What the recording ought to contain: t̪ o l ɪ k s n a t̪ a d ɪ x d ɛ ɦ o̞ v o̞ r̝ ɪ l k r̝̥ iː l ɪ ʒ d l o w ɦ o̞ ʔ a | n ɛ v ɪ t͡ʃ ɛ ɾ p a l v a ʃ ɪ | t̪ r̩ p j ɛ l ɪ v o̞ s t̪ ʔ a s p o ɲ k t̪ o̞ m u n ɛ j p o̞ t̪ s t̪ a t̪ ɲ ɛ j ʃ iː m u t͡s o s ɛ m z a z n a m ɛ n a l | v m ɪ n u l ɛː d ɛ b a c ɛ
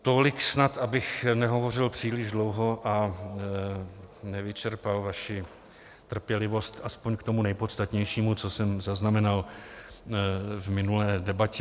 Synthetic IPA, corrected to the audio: t̪ o l ɪ k s n a t̪ a b ɪ x n ɛ ɦ o̞ v o̞ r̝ ɪ l p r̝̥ iː l ɪ ʒ d l o w ɦ o̞ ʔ a | n ɛ v ɪ t͡ʃ ɛ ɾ p a l v a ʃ ɪ | t̪ r̩ p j ɛ l ɪ v o̞ s t̪ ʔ a s p o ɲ k t̪ o̞ m u n ɛ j p o̞ t̪ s t̪ a t̪ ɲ ɛ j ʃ iː m u t͡s o s ɛ m z a z n a m ɛ n a l | v m ɪ n u l ɛː d ɛ b a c ɛ